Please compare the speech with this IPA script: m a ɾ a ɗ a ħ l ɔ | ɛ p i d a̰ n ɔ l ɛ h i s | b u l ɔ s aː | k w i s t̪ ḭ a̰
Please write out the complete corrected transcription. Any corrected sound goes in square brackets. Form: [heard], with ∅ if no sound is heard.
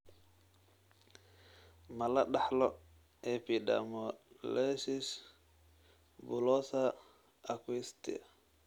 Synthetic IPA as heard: m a [l] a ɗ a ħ l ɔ | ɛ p i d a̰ [m] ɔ l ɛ [s] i s | b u l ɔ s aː | k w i s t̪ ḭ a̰